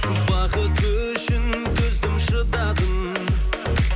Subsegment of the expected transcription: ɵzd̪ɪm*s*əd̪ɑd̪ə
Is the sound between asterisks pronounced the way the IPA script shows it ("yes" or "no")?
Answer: no